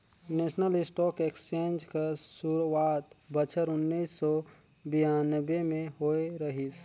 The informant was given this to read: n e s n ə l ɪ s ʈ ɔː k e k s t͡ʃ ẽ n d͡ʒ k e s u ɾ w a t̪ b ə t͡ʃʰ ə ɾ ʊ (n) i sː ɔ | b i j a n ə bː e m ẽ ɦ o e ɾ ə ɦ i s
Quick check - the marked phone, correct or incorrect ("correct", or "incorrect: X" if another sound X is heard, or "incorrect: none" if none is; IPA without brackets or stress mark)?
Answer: incorrect: nː